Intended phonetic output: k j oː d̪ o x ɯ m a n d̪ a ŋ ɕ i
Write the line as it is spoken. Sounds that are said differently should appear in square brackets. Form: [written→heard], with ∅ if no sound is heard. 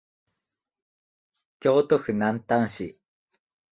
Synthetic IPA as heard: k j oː [d̪→t̪] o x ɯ [m→n] a n [d̪→t̪] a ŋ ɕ i